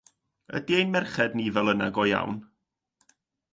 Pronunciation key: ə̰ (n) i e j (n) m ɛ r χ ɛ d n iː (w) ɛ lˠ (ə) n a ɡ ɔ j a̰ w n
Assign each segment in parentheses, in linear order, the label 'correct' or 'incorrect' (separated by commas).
incorrect, correct, incorrect, correct